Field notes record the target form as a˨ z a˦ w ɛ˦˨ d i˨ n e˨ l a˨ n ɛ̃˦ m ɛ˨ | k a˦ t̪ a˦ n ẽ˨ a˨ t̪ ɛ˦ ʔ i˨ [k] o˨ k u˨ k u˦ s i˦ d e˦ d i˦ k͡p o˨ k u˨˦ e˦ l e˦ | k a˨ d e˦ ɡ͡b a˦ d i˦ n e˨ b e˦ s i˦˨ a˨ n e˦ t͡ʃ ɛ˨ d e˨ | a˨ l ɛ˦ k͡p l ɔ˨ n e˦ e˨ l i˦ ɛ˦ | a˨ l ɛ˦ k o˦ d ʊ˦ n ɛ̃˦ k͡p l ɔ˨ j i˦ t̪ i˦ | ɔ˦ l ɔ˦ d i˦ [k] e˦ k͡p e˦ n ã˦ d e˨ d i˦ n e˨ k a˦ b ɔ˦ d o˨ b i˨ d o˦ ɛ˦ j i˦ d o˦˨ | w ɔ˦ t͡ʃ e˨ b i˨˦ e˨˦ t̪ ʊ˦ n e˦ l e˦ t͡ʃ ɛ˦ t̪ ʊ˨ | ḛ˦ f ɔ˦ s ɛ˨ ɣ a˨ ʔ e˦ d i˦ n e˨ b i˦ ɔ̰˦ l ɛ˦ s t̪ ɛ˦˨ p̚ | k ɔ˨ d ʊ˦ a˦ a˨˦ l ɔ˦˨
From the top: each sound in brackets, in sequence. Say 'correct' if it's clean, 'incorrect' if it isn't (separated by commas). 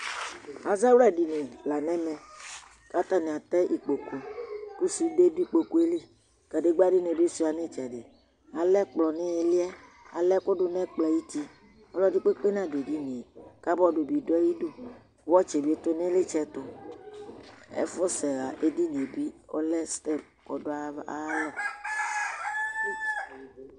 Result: incorrect, incorrect